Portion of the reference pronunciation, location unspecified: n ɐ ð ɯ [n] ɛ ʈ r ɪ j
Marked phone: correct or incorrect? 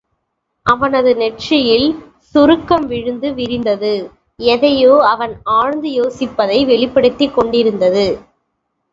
correct